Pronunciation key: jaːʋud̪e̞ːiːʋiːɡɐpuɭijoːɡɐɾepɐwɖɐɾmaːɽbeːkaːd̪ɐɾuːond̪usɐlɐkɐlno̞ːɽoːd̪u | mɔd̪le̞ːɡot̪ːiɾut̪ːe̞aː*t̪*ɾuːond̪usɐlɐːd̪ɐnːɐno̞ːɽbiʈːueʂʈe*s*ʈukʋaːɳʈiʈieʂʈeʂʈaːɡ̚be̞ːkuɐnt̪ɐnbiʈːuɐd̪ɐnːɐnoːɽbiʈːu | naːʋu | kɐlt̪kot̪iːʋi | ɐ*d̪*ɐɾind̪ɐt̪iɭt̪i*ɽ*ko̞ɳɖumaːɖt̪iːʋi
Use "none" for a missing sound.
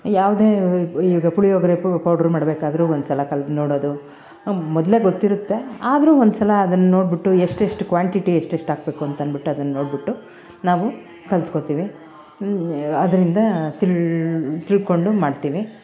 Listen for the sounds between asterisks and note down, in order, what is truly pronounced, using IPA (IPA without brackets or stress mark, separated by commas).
d̪, ʂ, d̪, ɭ